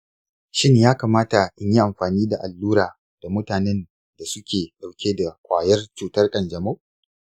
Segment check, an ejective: present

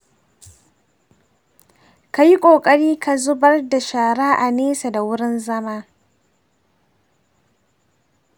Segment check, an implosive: absent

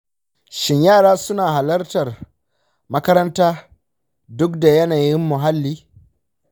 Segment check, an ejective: absent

